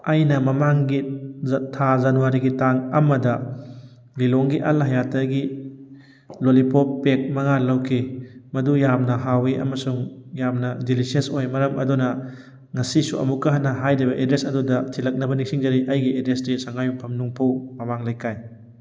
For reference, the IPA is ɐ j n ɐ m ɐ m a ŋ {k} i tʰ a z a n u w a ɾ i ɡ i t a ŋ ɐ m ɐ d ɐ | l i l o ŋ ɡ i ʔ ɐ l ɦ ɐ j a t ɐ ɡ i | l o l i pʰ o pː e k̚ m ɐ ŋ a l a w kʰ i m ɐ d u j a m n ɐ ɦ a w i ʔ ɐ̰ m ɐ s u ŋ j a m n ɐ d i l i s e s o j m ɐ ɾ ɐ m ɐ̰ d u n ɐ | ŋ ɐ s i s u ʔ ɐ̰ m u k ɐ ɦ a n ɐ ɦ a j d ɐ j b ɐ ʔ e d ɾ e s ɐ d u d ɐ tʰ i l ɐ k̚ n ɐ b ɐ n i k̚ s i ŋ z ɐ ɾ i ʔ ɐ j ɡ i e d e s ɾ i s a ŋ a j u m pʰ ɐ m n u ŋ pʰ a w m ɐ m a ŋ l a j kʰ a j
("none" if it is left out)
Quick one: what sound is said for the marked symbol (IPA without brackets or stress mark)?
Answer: ɡ